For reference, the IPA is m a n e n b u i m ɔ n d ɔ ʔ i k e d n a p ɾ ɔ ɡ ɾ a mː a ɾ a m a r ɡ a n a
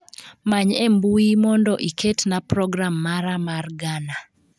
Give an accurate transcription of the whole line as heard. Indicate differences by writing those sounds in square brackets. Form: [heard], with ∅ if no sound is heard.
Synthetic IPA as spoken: m a [ɲ] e [m] b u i m ɔ n d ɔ ʔ i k e [t] n a p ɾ ɔ ɡ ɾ a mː a ɾ a m a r ɡ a n a